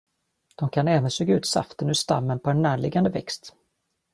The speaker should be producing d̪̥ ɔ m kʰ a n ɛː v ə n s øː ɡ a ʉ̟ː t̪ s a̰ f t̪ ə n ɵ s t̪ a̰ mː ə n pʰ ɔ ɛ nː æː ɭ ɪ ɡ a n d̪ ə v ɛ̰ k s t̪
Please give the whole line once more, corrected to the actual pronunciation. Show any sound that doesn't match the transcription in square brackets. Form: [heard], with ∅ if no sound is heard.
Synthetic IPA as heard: d̪̥ ɔ m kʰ a n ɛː v ə n s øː ɡ a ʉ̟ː t̪ s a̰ f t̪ ə n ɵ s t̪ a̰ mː ə n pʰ ɔ ɛ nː æː ɭ ɪ ɡ a n d̪ ə v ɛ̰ k s t̪